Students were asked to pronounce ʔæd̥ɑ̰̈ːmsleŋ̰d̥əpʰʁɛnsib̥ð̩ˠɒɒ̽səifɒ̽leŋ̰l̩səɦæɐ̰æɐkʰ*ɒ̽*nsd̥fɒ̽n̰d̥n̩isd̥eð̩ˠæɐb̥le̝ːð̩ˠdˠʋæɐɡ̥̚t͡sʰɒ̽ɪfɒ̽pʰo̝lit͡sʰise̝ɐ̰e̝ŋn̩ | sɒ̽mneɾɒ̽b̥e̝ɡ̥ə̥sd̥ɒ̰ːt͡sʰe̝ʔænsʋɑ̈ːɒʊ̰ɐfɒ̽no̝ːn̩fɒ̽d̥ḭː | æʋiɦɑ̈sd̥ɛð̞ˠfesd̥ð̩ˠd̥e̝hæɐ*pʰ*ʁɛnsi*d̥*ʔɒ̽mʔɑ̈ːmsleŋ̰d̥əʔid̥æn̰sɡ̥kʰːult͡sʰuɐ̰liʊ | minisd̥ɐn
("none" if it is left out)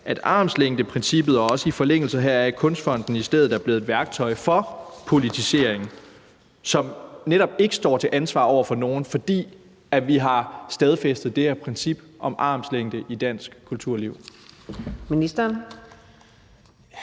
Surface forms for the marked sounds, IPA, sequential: ɔ̽, pʰ, b̥

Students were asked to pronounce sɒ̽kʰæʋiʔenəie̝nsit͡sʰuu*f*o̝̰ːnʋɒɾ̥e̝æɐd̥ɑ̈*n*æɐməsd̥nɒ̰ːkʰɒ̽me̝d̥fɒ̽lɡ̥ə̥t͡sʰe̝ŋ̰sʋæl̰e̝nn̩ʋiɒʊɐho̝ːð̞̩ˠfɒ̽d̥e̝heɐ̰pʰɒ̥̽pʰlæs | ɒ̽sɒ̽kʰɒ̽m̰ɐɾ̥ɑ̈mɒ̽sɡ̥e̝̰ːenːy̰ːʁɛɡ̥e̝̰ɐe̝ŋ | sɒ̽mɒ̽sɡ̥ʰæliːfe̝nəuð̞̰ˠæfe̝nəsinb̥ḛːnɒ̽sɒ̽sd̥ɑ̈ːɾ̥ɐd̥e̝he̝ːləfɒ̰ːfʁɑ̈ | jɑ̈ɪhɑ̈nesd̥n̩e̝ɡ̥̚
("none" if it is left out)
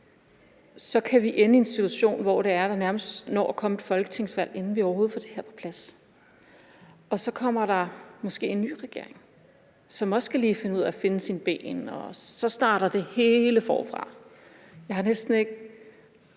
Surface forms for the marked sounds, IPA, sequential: ɕ, n

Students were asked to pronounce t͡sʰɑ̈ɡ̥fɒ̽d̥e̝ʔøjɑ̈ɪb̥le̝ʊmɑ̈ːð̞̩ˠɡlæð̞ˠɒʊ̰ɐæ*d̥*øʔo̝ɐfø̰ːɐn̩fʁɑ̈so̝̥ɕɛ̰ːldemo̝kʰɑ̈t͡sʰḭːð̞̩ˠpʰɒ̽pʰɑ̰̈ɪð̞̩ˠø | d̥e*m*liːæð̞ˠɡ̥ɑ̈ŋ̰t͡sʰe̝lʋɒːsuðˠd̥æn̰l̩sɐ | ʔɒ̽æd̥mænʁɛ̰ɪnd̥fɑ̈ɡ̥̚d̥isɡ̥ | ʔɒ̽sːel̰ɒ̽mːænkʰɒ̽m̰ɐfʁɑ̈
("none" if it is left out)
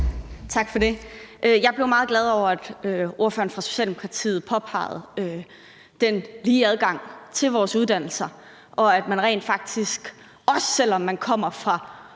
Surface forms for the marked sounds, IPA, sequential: d̥, n

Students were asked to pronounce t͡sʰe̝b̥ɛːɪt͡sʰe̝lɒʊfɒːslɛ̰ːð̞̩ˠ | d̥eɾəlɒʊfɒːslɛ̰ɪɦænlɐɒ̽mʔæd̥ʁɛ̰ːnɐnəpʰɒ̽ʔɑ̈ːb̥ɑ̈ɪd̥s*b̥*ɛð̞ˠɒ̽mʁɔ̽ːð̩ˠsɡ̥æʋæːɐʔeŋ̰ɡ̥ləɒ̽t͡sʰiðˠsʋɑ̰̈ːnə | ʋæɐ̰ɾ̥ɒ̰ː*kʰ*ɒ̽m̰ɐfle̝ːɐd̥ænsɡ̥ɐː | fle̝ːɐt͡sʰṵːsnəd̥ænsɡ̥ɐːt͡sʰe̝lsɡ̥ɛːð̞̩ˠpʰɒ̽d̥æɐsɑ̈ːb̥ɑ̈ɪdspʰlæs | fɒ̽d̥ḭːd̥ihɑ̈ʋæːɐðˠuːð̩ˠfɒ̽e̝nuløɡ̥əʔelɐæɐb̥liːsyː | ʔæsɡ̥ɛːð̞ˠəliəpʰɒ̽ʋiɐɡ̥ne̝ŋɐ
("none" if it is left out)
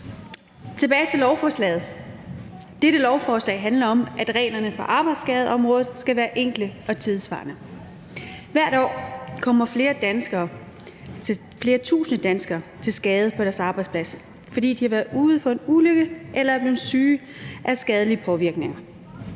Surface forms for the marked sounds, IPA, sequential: ɡ̥, kʰ

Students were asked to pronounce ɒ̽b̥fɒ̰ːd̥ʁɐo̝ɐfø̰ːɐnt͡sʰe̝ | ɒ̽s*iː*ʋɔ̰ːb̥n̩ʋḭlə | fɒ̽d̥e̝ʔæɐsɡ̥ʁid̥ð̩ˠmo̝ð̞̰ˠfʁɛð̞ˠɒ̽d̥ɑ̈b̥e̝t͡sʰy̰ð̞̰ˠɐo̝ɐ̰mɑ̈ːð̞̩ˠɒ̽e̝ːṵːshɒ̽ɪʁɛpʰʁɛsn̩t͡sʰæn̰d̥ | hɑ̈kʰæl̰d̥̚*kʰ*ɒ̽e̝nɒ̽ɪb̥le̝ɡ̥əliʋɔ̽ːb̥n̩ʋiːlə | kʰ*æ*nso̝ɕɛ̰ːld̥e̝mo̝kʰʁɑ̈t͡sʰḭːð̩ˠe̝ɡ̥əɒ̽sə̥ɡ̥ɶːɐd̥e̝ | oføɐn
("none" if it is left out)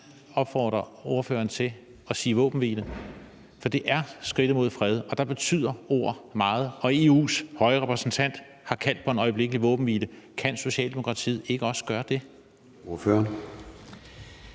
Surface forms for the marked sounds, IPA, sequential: iː, pʰ, æ

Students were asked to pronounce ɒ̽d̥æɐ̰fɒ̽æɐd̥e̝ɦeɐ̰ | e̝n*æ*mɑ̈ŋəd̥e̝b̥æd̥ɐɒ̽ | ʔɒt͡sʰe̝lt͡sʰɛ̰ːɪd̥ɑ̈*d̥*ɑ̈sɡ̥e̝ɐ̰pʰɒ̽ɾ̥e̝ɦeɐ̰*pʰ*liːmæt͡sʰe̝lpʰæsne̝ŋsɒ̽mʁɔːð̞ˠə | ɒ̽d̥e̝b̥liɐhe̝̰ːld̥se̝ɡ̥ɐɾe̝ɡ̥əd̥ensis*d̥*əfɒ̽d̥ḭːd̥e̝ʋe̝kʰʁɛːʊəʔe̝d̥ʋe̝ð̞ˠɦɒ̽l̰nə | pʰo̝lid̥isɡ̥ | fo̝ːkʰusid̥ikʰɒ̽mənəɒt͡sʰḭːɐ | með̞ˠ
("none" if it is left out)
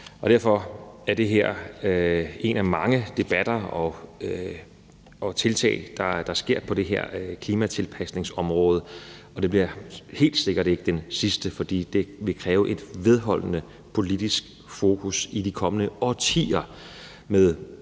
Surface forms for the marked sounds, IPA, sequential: æ, d̥, kʰ, d̥

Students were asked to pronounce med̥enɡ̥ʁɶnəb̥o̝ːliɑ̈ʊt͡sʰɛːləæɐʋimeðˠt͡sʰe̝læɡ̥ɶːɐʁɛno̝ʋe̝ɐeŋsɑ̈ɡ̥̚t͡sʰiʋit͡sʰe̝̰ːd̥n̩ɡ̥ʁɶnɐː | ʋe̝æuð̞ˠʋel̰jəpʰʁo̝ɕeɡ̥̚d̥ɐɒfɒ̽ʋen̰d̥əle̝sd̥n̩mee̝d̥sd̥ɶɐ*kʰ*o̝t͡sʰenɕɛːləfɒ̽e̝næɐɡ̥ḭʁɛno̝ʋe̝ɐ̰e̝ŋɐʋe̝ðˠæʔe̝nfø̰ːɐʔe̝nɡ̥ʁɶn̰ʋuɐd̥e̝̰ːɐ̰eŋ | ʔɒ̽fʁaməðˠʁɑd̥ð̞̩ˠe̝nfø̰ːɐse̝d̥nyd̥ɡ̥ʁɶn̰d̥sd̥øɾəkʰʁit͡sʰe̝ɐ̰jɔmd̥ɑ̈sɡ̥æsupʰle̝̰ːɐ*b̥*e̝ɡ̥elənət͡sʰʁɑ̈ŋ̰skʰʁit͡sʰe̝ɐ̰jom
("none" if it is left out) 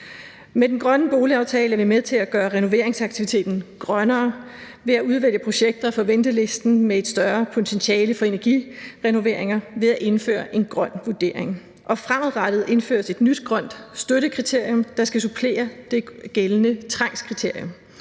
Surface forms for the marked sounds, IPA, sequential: pʰ, d̥

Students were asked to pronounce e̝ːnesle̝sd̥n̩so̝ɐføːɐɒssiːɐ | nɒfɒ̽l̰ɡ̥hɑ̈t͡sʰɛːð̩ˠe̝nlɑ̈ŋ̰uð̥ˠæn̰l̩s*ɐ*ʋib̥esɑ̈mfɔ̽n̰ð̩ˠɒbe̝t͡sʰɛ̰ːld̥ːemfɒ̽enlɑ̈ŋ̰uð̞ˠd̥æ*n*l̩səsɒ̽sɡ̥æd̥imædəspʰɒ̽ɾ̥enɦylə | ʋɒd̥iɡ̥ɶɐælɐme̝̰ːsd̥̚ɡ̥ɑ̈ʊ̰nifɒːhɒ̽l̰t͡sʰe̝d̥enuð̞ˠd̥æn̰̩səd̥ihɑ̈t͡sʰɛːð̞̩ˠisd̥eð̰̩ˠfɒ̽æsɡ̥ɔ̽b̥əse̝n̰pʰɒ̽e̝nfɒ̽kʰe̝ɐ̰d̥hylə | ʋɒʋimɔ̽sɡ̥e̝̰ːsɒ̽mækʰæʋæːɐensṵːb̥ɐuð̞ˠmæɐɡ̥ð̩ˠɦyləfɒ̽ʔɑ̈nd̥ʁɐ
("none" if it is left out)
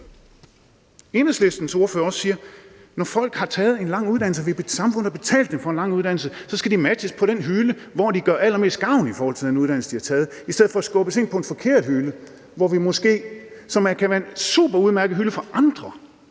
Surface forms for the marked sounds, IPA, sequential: ə, n

